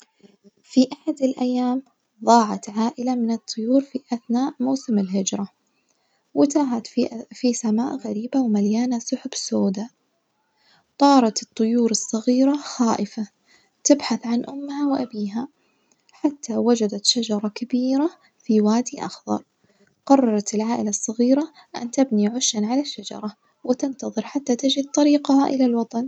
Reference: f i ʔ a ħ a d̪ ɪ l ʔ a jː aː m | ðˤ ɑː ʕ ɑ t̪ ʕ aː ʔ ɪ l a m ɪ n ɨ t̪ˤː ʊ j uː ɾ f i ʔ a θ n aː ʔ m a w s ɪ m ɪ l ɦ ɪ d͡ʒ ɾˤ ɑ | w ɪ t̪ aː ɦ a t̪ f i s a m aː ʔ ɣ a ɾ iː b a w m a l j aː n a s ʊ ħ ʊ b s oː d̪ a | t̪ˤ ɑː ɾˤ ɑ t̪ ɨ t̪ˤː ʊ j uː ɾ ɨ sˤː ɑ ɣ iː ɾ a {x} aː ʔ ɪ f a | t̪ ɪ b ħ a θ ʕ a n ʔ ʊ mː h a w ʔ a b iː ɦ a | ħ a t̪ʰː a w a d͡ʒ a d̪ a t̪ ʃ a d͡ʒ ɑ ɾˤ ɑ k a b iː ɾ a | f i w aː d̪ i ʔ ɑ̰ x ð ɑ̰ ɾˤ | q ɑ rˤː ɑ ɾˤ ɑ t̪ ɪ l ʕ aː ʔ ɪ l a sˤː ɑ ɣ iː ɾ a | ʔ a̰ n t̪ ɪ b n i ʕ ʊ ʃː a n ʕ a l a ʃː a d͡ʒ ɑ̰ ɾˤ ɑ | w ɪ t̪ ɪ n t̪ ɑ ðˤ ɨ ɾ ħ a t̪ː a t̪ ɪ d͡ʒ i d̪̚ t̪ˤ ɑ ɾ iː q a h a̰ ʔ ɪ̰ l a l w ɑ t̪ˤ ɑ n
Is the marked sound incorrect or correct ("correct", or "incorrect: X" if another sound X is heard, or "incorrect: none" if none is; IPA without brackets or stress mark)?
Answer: correct